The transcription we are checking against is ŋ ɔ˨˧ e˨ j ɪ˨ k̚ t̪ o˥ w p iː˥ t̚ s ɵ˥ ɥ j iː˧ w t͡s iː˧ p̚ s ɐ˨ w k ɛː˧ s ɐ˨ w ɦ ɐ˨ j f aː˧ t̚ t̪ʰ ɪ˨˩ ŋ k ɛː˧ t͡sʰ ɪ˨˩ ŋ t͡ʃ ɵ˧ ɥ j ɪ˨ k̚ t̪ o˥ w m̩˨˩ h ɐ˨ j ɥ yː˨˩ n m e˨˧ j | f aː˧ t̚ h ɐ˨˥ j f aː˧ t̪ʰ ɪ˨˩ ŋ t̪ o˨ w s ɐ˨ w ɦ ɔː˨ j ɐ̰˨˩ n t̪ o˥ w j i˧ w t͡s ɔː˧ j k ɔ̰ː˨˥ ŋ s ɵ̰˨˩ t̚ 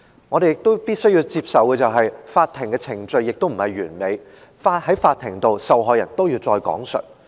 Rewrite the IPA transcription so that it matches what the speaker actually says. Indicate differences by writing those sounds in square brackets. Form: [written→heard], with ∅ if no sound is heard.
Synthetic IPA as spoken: ŋ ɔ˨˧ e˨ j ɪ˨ k̚ t̪ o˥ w p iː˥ t̚ s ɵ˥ ɥ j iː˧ w t͡s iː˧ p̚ s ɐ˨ w k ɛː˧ [s→t͡s] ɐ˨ w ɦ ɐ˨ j f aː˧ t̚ t̪ʰ ɪ˨˩ ŋ k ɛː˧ t͡sʰ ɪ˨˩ ŋ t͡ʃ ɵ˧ ɥ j ɪ˨ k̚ t̪ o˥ w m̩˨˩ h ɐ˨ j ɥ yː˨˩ n m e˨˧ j | f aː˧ t̚ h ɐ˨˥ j f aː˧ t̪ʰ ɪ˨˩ ŋ t̪ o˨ w s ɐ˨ w ɦ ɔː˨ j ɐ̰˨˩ n t̪ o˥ w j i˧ w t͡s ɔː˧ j k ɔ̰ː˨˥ ŋ s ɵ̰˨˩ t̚